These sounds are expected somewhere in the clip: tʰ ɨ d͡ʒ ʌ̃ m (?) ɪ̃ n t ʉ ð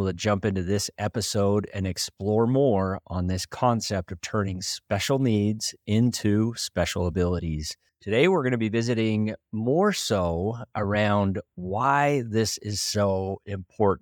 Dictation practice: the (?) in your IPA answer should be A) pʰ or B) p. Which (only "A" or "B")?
B